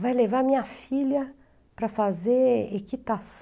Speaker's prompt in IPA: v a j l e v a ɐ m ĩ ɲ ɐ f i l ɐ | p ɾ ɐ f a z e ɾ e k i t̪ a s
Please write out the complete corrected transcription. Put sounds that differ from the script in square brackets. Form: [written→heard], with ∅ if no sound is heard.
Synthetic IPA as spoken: v a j l e v a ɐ m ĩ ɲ ɐ f i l ɐ | p ɾ ɐ f a z e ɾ e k i t̪ a s